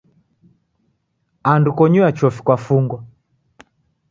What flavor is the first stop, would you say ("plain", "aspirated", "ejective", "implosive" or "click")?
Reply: plain